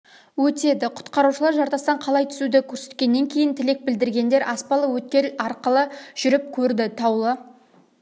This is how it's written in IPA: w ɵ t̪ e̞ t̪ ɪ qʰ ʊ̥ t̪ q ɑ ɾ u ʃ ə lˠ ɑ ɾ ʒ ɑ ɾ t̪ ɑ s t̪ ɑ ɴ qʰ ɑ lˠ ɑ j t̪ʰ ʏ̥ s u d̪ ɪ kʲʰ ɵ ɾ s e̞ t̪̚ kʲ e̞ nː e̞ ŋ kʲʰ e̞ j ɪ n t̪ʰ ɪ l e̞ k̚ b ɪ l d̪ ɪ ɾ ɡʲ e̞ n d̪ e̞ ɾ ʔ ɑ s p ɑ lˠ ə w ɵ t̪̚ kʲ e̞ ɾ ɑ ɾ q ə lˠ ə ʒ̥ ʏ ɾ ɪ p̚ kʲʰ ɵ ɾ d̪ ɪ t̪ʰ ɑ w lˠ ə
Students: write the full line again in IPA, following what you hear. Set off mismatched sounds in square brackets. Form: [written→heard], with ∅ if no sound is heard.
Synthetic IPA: w ɵ t̪ e̞ [t̪→d̪] ɪ qʰ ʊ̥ t̪ q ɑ ɾ u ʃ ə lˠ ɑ ɾ ʒ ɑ ɾ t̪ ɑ s t̪ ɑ ɴ qʰ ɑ lˠ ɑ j t̪ʰ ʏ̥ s u d̪ ɪ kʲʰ ɵ ɾ s e̞ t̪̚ kʲ e̞ nː e̞ ŋ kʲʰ e̞ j ɪ n t̪ʰ ɪ l e̞ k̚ b ɪ l d̪ ɪ ɾ ɡʲ e̞ n d̪ e̞ ɾ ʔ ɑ s p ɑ lˠ ə w ɵ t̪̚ kʲ e̞ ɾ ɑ ɾ q ə lˠ ə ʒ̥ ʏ ɾ ɪ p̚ kʲʰ ɵ ɾ d̪ ɪ t̪ʰ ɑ w lˠ ə